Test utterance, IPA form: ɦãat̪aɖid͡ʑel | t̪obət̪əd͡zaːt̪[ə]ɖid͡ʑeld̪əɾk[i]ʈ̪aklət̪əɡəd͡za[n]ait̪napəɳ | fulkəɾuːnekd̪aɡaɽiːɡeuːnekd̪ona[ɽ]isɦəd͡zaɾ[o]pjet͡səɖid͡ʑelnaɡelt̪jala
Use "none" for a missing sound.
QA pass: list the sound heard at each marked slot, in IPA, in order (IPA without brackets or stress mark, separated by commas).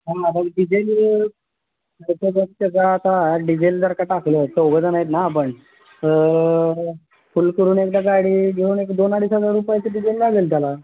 a, a, n, ɽ, u